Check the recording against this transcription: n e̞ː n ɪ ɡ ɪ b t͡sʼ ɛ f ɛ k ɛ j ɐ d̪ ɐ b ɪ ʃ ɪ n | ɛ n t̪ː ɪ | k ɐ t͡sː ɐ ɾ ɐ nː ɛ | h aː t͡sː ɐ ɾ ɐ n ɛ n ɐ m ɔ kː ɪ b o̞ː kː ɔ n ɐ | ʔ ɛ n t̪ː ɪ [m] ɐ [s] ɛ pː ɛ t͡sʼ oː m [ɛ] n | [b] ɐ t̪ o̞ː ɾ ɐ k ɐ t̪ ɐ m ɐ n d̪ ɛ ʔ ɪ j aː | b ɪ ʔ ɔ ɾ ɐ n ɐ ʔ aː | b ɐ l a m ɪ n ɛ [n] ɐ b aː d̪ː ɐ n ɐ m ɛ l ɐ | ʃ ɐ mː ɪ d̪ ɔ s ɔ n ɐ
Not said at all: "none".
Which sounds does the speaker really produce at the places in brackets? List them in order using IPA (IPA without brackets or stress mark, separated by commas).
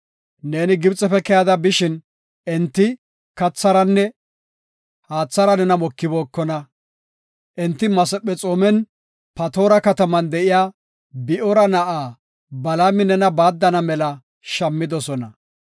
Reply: m, s, ɛ, p, n